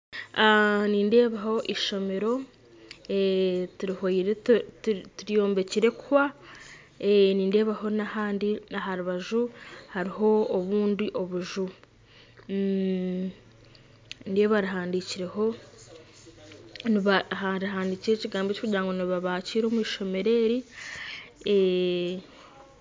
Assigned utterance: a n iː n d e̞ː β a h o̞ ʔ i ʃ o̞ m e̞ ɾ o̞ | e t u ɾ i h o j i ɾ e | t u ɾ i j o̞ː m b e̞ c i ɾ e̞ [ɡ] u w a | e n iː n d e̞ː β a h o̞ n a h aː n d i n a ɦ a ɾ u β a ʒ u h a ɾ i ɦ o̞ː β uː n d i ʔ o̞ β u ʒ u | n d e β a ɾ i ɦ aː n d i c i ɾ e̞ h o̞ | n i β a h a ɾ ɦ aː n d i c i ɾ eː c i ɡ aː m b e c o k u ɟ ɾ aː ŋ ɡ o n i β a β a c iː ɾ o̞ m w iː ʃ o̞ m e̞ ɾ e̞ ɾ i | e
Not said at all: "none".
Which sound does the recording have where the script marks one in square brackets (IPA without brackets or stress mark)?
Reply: k